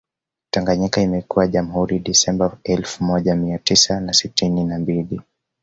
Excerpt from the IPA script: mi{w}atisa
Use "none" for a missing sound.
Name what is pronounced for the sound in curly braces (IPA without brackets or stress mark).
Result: none